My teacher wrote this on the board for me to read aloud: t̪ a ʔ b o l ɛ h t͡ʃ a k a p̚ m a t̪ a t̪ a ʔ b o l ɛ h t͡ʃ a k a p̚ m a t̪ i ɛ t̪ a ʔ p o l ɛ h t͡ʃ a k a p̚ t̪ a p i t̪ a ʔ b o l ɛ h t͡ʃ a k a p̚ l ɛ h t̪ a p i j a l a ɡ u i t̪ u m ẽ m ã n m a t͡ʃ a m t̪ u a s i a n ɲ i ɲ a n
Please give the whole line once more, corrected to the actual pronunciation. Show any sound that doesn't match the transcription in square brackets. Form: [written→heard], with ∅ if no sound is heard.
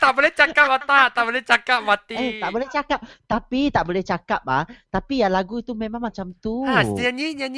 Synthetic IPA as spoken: t̪ a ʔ b o l ɛ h t͡ʃ a k a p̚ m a t̪ a t̪ a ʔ b o l ɛ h t͡ʃ a k a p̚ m a t̪ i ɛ t̪ a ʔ [p→b] o l ɛ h t͡ʃ a k a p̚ t̪ a p i t̪ a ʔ b o l ɛ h t͡ʃ a k a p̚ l [ɛ→a] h t̪ a p i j a l a ɡ u i t̪ u m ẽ m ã [n→ŋ] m a t͡ʃ a m t̪ u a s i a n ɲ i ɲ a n